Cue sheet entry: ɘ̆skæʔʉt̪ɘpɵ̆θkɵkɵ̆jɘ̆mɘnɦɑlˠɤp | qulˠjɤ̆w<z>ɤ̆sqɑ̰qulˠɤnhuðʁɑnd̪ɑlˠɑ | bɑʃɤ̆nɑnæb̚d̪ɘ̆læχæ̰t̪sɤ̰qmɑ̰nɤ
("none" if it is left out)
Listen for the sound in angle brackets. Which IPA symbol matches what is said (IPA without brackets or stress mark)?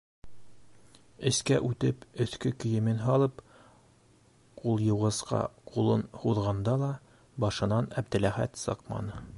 ʁ